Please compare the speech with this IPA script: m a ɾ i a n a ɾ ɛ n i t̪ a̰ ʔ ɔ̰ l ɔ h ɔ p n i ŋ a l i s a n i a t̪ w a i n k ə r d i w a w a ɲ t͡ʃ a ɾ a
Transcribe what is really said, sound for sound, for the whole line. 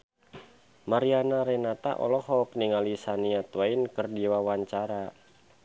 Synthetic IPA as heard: m a ɾ i a n a ɾ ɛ n a t̪ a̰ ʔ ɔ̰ l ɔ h ɔ p n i ŋ a l i s a n i a t̪ w a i n k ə r d i w a w a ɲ t͡ʃ a ɾ a